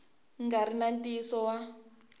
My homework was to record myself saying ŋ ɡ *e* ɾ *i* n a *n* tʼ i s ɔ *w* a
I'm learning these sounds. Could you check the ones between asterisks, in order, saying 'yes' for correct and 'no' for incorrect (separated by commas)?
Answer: no, yes, yes, yes